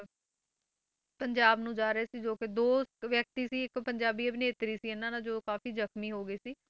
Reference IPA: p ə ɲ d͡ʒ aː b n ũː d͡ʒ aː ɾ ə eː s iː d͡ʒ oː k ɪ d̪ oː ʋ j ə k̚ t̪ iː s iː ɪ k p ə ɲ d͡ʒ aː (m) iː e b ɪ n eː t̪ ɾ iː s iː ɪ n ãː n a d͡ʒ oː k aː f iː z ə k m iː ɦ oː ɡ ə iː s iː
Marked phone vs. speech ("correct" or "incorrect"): incorrect